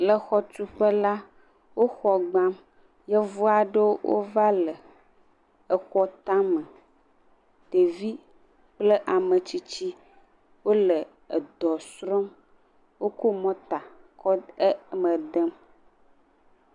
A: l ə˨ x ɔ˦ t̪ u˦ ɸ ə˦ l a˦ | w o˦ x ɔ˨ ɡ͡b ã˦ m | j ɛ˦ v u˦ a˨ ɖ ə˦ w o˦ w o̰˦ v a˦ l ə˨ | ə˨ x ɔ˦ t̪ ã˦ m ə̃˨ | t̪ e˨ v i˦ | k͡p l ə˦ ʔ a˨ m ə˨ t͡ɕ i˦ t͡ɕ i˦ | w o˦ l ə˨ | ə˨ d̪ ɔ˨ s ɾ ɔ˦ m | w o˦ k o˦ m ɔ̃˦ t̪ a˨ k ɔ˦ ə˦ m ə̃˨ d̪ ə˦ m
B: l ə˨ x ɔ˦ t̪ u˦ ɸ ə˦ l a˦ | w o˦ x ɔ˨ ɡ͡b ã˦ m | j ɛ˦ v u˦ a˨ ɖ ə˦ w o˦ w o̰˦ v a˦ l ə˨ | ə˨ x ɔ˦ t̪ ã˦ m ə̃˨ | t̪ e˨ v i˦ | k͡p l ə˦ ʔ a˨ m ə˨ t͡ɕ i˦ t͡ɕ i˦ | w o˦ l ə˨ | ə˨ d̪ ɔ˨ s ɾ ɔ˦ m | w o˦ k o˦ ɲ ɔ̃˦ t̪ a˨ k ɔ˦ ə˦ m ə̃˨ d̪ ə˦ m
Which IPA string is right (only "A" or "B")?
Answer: A